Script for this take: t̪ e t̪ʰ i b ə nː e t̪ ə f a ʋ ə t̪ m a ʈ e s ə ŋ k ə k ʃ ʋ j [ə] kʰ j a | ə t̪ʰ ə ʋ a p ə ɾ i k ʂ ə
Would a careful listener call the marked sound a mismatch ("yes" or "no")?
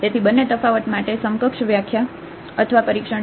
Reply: yes